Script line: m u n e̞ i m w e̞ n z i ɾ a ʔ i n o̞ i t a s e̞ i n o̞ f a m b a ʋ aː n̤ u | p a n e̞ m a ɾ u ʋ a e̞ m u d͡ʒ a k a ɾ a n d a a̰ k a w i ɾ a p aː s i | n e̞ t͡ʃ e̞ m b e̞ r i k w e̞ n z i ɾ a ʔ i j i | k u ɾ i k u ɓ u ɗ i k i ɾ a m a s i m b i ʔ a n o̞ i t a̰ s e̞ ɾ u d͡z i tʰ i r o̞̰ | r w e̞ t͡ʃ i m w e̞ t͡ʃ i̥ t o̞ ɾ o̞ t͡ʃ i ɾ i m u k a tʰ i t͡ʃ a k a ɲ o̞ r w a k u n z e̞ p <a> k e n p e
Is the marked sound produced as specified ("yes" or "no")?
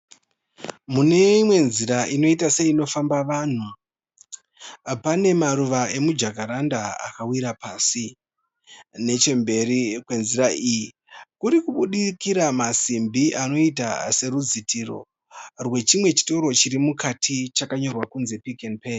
no